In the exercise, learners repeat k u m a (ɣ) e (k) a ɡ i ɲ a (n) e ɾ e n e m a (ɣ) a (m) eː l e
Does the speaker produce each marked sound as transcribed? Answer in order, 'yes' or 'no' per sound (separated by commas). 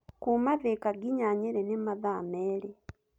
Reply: no, yes, no, no, yes